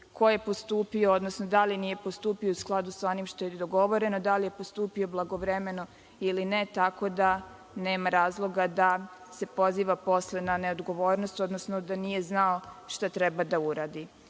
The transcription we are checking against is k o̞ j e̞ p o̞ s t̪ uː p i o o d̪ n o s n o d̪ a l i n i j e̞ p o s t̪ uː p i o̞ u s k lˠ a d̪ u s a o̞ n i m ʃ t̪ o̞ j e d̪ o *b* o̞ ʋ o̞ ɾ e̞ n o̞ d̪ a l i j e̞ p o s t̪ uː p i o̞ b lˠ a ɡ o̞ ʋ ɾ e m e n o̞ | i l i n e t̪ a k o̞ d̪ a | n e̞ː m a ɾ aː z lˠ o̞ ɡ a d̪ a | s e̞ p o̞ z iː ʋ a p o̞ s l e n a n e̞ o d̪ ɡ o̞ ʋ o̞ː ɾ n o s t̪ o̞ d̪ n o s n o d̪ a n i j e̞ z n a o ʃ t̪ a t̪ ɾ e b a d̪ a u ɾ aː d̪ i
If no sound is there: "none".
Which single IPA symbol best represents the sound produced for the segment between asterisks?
ɡ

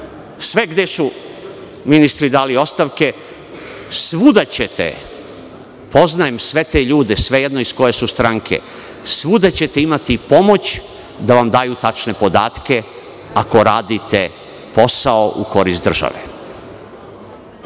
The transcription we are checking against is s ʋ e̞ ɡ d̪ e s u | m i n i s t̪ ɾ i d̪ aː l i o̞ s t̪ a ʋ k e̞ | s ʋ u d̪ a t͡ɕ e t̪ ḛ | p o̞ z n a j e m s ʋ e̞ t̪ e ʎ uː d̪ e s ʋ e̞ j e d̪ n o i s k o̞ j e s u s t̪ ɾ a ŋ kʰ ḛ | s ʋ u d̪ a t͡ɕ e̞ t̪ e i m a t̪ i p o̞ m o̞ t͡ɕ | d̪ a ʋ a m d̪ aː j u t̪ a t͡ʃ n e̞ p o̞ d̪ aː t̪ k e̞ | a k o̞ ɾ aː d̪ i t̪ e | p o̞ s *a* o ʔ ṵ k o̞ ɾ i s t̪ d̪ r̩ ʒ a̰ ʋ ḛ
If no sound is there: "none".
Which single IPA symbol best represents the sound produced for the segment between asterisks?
a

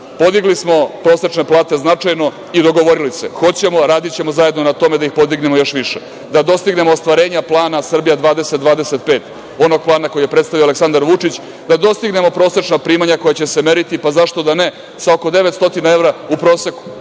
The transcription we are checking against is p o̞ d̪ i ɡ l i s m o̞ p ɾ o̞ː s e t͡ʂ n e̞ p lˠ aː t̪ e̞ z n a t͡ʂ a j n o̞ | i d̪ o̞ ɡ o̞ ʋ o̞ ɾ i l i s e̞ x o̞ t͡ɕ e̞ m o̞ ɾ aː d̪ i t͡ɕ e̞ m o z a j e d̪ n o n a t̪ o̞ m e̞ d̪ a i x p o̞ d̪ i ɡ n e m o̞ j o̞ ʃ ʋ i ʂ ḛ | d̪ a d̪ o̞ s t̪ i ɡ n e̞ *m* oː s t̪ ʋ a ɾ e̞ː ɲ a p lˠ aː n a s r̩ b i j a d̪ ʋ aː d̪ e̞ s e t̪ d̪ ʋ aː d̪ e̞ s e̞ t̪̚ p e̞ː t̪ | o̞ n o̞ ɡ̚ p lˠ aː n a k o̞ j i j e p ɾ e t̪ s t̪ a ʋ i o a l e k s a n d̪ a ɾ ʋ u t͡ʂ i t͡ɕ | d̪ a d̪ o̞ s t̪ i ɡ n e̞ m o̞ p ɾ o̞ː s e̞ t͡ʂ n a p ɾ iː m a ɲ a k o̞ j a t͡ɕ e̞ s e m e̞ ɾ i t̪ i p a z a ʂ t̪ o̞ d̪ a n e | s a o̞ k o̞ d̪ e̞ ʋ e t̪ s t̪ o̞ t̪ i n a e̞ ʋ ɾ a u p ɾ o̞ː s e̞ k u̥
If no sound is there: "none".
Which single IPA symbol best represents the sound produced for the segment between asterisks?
m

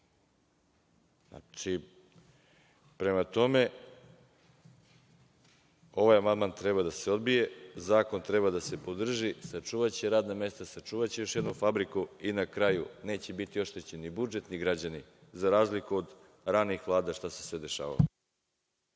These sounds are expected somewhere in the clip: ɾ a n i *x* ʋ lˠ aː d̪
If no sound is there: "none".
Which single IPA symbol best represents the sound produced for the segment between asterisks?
x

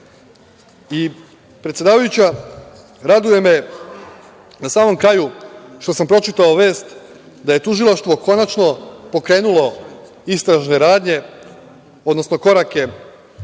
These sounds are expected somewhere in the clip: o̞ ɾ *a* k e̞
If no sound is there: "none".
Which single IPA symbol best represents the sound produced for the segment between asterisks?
a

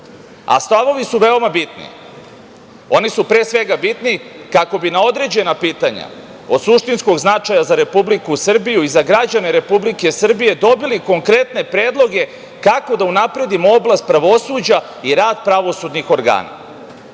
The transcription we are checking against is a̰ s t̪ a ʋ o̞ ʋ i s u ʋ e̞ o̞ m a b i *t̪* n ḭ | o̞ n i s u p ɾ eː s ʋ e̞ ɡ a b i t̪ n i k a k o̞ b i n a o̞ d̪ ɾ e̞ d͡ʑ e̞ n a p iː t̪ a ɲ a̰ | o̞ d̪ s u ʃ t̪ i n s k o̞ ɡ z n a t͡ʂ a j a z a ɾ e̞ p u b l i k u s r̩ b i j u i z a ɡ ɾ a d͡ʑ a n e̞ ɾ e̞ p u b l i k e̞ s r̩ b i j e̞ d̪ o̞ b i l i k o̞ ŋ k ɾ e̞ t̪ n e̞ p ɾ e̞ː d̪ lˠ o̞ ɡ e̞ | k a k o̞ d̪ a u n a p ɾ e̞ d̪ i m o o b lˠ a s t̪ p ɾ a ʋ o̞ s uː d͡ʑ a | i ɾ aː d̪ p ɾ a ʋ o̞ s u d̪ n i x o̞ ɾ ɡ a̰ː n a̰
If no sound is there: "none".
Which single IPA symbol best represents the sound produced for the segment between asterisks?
t̪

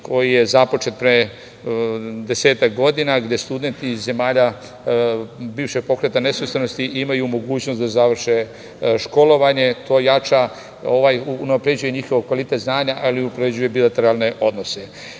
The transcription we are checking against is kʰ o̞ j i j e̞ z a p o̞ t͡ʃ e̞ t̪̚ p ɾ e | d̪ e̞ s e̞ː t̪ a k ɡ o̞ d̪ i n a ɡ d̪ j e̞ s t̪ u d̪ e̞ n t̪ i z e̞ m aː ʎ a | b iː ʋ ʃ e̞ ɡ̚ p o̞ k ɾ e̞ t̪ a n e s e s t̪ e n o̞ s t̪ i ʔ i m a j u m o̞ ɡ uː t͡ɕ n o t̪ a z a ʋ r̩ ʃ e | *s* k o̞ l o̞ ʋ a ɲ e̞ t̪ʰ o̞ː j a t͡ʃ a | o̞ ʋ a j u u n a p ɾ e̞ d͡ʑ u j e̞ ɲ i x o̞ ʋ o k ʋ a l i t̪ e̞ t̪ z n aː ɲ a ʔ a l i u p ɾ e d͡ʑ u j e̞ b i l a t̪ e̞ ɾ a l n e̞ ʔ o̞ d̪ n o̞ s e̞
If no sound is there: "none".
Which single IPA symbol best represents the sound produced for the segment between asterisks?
ʃ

